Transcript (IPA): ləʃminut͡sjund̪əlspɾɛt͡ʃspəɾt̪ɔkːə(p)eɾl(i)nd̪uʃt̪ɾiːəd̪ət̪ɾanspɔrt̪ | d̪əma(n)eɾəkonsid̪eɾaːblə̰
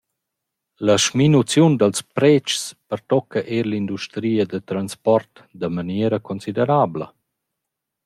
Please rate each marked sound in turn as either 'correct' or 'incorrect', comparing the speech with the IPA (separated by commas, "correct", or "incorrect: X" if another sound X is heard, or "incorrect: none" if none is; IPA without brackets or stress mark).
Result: incorrect: ʔ, correct, correct